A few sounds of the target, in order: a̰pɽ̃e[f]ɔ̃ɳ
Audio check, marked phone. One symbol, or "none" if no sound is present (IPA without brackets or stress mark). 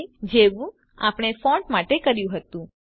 f